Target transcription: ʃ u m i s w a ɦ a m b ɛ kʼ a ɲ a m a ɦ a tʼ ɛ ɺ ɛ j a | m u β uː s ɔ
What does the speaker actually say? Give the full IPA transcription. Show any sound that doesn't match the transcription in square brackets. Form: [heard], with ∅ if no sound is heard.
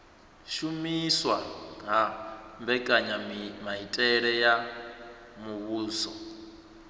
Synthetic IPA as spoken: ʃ u m i s w a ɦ a m b ɛ kʼ a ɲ a m a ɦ [i] tʼ ɛ ɺ ɛ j a | m u β uː s ɔ